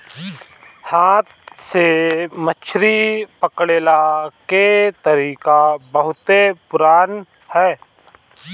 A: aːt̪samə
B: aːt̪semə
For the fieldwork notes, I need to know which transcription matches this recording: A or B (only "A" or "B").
B